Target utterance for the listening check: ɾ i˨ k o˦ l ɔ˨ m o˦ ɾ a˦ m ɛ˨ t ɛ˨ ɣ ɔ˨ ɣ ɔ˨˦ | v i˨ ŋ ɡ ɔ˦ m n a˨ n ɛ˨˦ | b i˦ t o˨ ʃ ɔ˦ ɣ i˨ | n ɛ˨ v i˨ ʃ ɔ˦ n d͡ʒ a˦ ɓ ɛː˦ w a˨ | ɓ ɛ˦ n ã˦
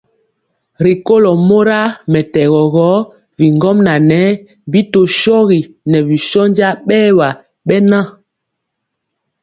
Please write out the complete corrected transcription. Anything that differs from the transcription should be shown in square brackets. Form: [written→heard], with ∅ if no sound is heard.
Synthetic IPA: ɾ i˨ k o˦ l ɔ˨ m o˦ ɾ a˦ m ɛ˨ t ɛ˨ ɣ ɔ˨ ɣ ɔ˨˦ | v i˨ ŋ ɡ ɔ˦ m n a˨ n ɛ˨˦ | b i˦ t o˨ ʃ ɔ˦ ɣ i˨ | n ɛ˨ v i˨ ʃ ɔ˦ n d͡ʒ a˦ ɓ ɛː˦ w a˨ | ɓ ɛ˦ n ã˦